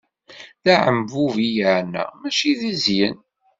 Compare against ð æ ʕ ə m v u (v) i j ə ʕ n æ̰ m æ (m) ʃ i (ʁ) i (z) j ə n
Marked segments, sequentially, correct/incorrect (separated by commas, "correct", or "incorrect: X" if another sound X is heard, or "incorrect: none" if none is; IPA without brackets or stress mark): correct, incorrect: none, incorrect: ð, correct